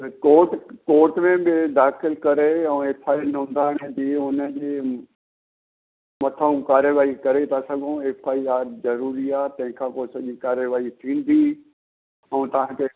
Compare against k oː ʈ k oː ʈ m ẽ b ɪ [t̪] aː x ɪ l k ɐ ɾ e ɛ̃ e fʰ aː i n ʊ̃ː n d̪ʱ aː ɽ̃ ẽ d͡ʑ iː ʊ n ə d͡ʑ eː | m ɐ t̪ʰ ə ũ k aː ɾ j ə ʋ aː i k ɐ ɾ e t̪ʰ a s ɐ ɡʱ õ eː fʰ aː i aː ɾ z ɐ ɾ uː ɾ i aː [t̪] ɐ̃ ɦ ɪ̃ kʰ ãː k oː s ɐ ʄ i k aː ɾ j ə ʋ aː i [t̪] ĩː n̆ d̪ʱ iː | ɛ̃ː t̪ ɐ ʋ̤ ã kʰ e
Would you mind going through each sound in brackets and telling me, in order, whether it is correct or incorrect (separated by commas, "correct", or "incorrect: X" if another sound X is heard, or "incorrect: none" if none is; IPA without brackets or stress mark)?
incorrect: d̪, correct, incorrect: t̪ʰ